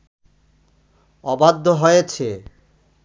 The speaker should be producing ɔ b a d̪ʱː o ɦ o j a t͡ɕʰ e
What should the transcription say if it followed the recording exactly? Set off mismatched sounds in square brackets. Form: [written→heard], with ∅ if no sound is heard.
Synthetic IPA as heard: ɔ b a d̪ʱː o ɦ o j [a→e] t͡ɕʰ e